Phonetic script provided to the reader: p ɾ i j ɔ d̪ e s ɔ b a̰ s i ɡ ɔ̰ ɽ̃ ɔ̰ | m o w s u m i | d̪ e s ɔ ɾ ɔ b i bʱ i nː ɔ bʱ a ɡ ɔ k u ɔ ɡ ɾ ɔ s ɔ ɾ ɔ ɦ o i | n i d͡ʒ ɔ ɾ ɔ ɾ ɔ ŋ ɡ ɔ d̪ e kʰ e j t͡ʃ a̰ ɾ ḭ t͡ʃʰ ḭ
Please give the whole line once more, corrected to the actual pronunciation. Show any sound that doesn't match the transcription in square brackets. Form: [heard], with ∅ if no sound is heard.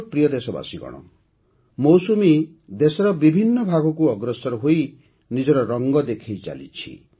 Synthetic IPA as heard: p ɾ i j ɔ d̪ e s ɔ b a̰ s i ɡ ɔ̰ ɽ̃ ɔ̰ | m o w s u m i | d̪ e s ɔ ɾ ɔ b i bʱ i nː ɔ bʱ a ɡ ɔ k u ɔ ɡ ɾ ɔ s ɔ ɾ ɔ ɦ o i | n i d͡ʒ ɔ ɾ ɔ ɾ ɔ ŋ ɡ ɔ d̪ e kʰ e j t͡ʃ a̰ [l] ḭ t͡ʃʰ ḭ